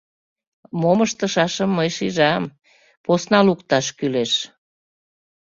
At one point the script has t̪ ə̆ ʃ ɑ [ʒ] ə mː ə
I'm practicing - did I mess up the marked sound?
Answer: yes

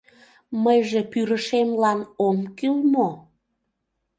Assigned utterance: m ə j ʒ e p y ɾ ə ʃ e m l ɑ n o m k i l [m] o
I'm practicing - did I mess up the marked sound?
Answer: no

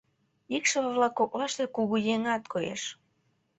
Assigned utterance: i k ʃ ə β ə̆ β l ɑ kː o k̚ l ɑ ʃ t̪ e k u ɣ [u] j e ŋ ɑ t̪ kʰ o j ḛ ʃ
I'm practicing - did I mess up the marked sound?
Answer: no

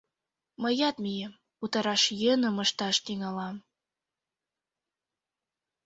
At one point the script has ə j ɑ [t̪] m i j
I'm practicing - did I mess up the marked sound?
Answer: no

